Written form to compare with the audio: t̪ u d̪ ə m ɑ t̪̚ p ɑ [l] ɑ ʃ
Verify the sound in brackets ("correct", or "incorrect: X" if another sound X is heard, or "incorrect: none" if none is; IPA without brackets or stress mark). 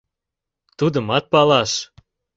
correct